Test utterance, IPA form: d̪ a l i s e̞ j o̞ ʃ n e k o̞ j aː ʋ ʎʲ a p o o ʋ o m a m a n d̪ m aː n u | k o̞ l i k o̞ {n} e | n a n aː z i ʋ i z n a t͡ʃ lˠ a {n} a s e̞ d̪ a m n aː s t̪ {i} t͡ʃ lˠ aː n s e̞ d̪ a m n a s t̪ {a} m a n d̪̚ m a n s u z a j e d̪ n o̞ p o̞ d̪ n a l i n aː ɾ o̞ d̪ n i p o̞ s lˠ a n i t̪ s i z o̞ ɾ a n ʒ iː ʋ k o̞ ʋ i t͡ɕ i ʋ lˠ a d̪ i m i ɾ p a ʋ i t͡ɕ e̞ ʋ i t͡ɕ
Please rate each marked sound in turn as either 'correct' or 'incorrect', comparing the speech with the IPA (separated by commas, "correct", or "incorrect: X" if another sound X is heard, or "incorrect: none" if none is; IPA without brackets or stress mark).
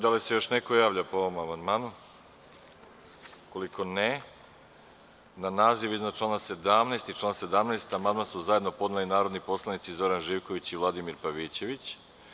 correct, correct, correct, correct